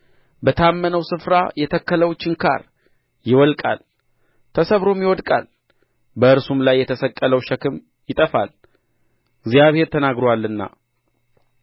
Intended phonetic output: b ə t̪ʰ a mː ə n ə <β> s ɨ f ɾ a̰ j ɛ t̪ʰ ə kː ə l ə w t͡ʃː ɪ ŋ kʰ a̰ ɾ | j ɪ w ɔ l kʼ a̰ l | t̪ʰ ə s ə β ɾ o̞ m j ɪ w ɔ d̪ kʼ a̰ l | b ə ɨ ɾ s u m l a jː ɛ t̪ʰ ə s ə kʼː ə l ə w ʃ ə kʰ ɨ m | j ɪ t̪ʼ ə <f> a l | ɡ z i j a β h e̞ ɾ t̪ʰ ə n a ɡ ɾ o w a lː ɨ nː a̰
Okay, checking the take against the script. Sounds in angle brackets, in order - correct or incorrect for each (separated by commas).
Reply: incorrect, correct